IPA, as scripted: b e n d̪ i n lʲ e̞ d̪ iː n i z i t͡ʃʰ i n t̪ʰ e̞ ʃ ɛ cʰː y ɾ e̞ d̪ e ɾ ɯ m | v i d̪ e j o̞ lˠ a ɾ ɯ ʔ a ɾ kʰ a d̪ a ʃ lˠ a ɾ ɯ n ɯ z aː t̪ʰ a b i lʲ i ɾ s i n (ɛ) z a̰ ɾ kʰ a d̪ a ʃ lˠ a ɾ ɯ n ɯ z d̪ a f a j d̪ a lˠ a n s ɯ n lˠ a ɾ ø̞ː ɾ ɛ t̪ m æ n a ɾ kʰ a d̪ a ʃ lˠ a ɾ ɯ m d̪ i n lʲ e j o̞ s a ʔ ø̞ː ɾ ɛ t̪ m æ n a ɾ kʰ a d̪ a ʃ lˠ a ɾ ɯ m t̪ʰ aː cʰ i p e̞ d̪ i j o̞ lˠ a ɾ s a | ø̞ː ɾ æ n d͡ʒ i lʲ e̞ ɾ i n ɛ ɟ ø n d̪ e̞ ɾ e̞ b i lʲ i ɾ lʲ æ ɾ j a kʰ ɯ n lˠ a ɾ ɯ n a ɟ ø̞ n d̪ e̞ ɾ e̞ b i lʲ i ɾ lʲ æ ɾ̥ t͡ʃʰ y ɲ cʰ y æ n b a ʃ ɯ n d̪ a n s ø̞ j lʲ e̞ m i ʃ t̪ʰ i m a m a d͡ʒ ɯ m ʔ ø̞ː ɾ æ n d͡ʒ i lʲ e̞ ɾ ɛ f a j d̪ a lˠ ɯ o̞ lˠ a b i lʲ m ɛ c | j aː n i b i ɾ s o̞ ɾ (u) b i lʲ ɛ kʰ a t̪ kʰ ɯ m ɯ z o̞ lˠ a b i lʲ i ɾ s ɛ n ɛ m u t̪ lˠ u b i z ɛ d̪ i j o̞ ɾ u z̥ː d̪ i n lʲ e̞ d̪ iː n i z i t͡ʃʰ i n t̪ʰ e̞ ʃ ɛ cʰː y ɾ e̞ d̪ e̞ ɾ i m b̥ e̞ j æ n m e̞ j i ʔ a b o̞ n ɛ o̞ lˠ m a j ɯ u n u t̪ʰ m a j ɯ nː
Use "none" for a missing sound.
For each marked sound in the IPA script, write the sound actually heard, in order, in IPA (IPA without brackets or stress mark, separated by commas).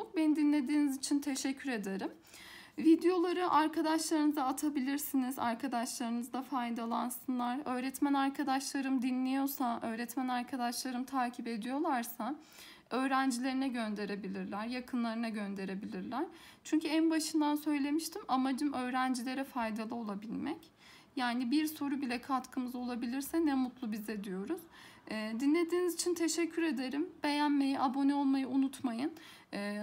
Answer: i, u